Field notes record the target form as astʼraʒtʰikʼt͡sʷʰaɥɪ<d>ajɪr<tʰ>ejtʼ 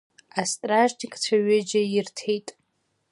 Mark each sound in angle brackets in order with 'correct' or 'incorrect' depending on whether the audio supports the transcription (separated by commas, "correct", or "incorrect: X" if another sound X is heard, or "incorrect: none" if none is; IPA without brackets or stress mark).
incorrect: d͡ʒ, correct